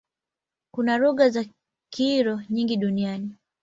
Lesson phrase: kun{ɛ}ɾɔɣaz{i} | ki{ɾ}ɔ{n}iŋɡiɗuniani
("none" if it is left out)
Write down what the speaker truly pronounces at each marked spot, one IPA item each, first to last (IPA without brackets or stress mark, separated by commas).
a, a, ɾ, ɲ